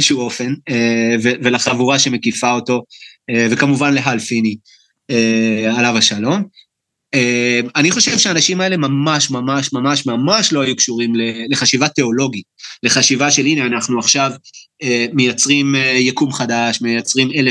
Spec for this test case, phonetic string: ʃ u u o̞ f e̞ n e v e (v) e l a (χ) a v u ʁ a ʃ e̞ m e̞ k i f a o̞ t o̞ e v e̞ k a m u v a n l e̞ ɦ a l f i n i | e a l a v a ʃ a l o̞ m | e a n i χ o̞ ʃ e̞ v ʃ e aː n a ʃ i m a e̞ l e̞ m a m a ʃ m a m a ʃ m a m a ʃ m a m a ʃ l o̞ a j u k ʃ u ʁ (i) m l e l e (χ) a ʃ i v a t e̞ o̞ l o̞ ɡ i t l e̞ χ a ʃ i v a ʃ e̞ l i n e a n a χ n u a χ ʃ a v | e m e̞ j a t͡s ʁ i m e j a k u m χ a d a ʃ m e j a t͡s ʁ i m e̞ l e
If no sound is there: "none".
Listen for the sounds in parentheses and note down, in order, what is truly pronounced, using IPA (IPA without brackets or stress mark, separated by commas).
v, χ, i, χ